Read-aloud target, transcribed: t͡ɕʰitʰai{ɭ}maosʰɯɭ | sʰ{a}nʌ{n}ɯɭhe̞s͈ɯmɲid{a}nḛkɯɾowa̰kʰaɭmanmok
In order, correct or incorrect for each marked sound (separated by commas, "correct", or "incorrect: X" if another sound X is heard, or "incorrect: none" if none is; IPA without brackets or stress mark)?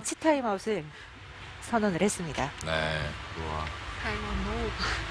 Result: incorrect: none, incorrect: ʌ, correct, correct